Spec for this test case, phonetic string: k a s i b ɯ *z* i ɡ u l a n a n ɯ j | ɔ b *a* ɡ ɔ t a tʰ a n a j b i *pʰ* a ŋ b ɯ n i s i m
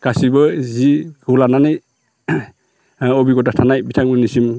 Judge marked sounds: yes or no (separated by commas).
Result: yes, no, no